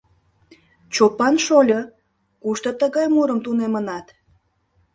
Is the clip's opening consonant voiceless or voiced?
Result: voiceless